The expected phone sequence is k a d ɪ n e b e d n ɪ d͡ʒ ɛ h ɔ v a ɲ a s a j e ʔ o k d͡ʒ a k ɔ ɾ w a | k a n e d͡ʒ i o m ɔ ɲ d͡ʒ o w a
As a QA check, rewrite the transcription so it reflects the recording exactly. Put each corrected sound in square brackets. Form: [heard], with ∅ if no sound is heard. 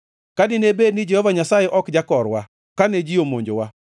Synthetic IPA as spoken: k a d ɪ n e b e d n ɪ d͡ʒ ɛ h ɔ v a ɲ a s a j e ʔ [ɔ] k d͡ʒ a k ɔ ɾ w a | k a n e d͡ʒ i o m [o] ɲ d͡ʒ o w a

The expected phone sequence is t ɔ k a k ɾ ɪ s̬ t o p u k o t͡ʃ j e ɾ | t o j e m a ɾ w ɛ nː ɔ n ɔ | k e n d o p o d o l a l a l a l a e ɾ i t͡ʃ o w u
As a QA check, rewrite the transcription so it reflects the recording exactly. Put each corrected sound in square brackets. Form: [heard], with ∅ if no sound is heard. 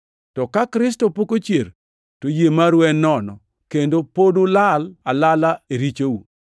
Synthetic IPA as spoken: t ɔ k a k ɾ ɪ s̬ t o p [o] k o t͡ʃ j e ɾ | t o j e m a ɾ w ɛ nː ɔ n ɔ | k e n d o p o d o l a l a l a l a e ɾ i t͡ʃ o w u

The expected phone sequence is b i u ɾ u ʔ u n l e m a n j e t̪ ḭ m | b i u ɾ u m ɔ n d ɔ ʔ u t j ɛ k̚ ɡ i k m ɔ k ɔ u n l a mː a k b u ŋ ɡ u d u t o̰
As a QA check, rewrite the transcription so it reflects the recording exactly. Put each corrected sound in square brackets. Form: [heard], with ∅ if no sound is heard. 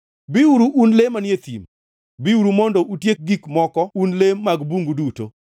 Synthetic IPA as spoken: b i u ɾ u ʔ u n l e m a n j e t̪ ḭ m | b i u ɾ u m ɔ n d ɔ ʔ u t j [e] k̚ ɡ i k m ɔ k ɔ u n l [e] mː a [ɡ] b u ŋ ɡ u d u t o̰

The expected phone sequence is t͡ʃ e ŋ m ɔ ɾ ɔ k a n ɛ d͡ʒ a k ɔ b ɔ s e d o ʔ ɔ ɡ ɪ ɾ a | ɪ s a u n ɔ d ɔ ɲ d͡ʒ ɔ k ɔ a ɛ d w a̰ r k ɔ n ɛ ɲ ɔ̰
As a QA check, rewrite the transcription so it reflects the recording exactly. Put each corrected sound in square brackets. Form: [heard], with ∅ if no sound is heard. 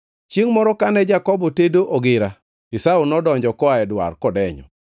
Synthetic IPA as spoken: t͡ʃ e ŋ m ɔ ɾ ɔ k a n ɛ d͡ʒ a k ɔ b ɔ [t] e d o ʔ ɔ ɡ ɪ ɾ a | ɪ s a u n ɔ d ɔ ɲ d͡ʒ ɔ k ɔ a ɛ d w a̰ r k ɔ [d] ɛ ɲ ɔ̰

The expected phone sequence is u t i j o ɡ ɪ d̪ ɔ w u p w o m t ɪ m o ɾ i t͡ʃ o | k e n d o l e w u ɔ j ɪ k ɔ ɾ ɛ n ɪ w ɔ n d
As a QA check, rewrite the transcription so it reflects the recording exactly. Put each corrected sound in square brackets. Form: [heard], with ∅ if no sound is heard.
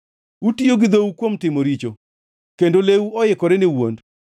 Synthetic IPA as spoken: u t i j o ɡ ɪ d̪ [o] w u [k] w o m t ɪ m o ɾ i t͡ʃ o | k e n d o l e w u ɔ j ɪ k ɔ ɾ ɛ n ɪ w [o] n d

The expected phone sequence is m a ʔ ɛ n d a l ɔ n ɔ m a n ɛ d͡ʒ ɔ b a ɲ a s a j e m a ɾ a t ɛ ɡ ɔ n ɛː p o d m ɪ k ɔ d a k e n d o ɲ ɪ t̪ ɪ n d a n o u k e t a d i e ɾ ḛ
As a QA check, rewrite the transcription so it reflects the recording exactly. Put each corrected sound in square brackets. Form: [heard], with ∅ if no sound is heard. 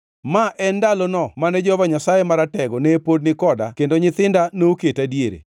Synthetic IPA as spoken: m a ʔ ɛ n d a l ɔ n ɔ m a n ɛ d͡ʒ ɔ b a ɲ a s a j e m a ɾ a t ɛ ɡ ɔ n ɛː p o d [n] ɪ k ɔ d a k e n d o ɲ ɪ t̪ ɪ n d a n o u k e t a d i e ɾ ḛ

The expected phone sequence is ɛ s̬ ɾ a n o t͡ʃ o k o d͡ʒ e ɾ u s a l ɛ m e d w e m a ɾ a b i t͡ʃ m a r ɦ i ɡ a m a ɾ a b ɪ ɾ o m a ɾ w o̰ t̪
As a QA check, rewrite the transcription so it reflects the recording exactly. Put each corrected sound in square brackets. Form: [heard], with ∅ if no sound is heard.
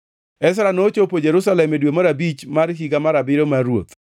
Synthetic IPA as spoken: ɛ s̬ ɾ a n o t͡ʃ o [p] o d͡ʒ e ɾ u s a l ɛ m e d w e m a ɾ a b i t͡ʃ m a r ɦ i ɡ a m a ɾ a b ɪ ɾ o m a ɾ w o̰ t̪

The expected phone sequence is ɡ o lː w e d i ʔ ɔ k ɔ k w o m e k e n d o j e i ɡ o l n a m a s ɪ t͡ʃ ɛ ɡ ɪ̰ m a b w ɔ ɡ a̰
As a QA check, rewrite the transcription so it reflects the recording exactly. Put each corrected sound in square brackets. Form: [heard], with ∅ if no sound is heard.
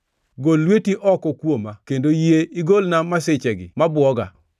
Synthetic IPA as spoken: ɡ o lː w e [t] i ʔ ɔ k ɔ k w o m [a] k e n d o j e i ɡ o l n a m a s ɪ t͡ʃ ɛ ɡ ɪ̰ m a b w ɔ ɡ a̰

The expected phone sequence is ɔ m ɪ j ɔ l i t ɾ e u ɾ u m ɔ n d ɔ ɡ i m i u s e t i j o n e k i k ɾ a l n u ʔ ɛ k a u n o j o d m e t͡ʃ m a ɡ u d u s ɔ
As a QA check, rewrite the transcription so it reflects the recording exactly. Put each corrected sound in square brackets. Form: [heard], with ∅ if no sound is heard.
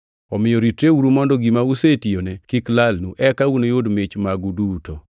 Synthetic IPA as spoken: ɔ m ɪ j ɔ [ɾ] i t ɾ e u ɾ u m ɔ n d ɔ ɡ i m [a] u s e t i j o n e k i k [l] a l n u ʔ ɛ k a u n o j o d m e t͡ʃ m a ɡ u d u [t] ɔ

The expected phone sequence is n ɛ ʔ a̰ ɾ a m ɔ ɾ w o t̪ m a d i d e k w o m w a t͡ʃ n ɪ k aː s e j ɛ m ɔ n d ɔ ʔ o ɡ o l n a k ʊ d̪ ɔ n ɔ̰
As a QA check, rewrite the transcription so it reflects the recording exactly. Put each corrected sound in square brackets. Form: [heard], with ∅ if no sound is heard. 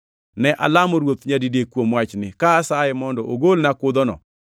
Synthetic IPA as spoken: n ɛ ʔ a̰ [l] a m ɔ ɾ w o t̪ [ɲ] a d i d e k w o m w a t͡ʃ n ɪ k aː s [a] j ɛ m ɔ n d ɔ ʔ o ɡ o l n a k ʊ d̪ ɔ n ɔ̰

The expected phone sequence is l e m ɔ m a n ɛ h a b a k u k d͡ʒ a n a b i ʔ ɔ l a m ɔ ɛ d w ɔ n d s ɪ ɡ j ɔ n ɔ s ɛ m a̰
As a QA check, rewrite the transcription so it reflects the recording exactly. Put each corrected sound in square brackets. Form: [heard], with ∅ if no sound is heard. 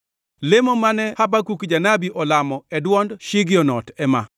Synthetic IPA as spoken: l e m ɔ m a n ɛ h a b a k u k d͡ʒ a n a b i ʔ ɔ l a m ɔ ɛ d w ɔ n d [ʃ] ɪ ɡ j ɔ n ɔ [t] ɛ m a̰

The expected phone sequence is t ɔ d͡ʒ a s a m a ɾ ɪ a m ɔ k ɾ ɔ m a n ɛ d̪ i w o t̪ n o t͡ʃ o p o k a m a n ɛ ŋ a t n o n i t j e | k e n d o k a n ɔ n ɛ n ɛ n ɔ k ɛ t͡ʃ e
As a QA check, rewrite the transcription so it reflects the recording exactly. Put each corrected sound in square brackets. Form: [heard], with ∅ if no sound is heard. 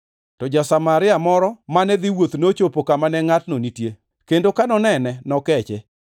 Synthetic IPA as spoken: t ɔ d͡ʒ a s a m a ɾ ɪ a m ɔ [∅] ɾ ɔ m a n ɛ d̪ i w o t̪ n o t͡ʃ o p o k a m a n ɛ ŋ a t n o n i t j e | k e n d o k a n ɔ n ɛ n ɛ n ɔ k ɛ t͡ʃ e

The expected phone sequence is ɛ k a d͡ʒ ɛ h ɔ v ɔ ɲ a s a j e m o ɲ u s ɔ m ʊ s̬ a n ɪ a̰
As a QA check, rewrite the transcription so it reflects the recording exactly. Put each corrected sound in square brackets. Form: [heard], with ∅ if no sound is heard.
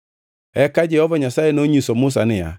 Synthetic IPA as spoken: ɛ k a d͡ʒ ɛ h ɔ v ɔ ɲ a s a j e [n] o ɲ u s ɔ m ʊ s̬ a n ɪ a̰

